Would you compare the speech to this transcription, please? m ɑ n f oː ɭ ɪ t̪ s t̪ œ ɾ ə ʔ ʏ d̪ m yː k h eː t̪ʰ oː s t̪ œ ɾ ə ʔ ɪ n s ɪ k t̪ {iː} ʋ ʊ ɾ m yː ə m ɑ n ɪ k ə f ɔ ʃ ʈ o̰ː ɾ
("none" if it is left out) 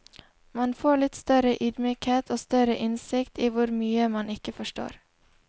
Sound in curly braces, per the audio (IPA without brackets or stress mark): iː